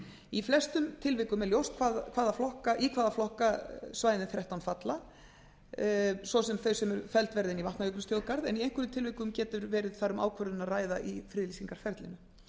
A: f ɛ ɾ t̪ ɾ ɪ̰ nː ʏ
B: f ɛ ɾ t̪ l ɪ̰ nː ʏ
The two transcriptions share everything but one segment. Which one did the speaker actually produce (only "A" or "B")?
B